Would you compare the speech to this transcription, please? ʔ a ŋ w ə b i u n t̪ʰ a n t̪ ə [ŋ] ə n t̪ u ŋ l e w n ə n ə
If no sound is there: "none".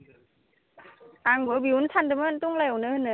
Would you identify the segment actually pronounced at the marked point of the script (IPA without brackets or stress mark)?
m